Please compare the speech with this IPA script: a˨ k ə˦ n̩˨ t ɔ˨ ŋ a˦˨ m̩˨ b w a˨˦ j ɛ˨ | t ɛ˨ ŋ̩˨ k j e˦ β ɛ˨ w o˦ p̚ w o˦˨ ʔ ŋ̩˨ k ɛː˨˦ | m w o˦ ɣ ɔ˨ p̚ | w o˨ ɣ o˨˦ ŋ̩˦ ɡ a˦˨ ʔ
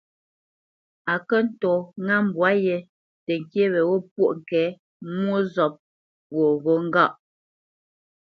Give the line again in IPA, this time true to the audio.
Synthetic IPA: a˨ k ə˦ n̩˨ t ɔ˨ ŋ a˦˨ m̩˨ b w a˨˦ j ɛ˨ | t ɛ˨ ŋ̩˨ k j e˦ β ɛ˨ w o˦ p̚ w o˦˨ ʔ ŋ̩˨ k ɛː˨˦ | m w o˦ z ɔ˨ p̚ | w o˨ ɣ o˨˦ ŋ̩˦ ɡ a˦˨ ʔ